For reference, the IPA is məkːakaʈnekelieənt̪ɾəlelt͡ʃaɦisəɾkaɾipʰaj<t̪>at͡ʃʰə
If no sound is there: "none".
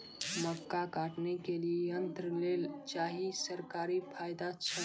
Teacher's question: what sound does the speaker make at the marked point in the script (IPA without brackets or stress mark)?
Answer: d̪